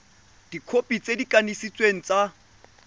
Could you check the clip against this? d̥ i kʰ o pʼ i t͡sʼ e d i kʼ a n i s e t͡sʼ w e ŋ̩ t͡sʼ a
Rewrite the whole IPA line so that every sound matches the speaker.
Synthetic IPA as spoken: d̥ i kʰ o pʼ i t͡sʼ e d i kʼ a n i s i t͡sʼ w e ŋ̩ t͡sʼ a